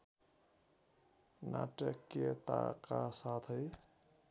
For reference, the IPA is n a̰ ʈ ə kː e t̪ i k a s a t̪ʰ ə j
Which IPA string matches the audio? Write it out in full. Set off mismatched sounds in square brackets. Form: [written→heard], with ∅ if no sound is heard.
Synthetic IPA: n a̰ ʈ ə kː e t̪ [i→a] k a s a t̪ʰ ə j